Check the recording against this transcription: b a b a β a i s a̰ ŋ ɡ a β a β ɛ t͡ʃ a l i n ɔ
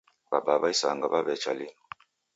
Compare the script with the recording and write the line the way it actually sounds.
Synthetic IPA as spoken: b a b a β a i s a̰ ŋ ɡ a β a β ɛ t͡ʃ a l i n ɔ